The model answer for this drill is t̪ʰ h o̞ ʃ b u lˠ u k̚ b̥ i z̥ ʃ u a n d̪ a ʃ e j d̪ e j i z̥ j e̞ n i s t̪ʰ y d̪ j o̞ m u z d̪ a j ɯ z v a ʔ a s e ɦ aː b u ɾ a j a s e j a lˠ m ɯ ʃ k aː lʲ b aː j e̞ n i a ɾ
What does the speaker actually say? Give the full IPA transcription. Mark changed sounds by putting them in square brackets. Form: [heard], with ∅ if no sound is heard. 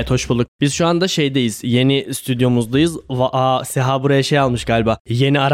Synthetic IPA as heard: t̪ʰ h o̞ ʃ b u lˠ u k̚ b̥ i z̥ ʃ u a n d̪ a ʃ e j d̪ e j i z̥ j e̞ n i s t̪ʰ y d̪ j o̞ m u z d̪ a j ɯ z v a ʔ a s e ɦ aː b u ɾ a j a [ʃ] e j a lˠ m ɯ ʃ [ɡ] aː lʲ b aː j e̞ n i a ɾ